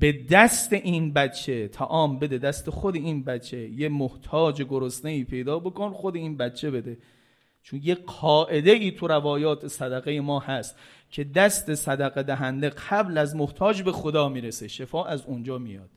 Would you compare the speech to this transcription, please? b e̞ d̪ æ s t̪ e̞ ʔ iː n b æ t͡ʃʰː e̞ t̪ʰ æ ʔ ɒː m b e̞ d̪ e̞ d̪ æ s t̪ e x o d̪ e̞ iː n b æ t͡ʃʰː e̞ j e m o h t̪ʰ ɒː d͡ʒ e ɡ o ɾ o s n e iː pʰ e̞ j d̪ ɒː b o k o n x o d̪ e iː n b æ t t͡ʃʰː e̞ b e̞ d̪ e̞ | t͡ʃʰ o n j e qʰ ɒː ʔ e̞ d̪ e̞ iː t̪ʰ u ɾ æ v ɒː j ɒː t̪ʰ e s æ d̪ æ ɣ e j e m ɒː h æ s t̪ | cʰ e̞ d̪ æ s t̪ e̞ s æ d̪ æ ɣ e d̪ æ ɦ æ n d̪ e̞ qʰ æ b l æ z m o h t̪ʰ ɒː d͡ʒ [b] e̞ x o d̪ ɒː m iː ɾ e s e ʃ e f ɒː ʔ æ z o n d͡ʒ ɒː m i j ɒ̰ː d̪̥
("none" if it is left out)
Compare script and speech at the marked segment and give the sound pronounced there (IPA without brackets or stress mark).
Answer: b